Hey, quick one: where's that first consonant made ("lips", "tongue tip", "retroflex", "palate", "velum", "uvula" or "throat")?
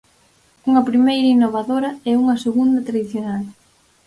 velum